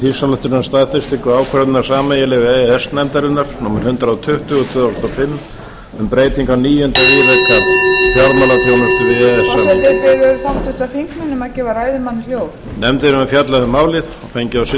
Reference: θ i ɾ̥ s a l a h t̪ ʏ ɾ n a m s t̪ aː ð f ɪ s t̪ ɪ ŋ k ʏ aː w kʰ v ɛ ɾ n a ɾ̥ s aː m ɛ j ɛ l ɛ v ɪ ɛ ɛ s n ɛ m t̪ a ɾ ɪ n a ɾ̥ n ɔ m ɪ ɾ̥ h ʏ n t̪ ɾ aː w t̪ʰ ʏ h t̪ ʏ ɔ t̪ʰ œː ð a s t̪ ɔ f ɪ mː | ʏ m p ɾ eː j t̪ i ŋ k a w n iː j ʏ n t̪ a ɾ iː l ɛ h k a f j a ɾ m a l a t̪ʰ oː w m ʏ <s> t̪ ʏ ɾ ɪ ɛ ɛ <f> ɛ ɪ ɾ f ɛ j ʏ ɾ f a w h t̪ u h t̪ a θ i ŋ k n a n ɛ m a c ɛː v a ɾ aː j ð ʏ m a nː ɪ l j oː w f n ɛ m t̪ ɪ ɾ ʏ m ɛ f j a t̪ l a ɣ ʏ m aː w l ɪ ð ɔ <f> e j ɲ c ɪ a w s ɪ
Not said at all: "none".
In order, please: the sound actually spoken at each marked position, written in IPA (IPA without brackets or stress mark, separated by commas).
s, s, f